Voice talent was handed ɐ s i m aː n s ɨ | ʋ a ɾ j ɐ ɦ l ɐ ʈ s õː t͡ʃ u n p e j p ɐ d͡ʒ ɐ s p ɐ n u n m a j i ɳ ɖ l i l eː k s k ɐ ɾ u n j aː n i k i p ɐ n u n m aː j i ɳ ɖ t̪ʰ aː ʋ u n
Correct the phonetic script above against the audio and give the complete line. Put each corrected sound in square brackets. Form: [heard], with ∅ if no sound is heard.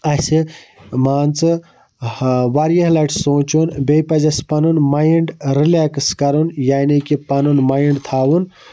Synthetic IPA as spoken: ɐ s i m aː n [t͡s] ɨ | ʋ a ɾ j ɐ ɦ l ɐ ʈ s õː t͡ʃ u n [b] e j p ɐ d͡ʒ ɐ s p ɐ n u n m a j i ɳ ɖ [ɾ] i l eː k s k ɐ ɾ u n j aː n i k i p ɐ n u n m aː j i ɳ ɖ t̪ʰ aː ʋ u n